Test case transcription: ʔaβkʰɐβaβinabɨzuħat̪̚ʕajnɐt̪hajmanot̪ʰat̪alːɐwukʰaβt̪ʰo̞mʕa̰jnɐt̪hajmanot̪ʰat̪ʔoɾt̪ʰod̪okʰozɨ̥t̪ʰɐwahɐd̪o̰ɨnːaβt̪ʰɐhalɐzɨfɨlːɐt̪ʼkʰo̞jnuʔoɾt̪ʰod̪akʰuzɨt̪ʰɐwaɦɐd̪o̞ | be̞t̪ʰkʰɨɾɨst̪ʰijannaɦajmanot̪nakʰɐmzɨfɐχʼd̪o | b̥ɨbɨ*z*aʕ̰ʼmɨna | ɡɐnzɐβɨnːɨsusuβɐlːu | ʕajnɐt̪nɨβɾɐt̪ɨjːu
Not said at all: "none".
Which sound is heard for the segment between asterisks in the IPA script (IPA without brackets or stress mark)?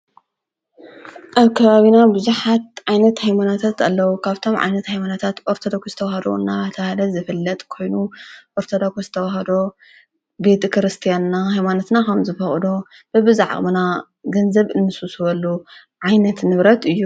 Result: z